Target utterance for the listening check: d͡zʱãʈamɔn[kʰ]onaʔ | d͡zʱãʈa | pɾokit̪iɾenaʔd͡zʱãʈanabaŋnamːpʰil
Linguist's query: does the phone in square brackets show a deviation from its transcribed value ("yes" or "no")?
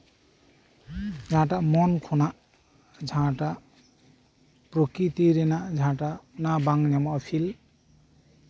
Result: no